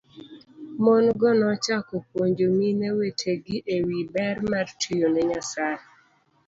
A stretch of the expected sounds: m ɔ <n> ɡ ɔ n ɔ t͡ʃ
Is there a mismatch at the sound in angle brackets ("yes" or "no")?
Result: no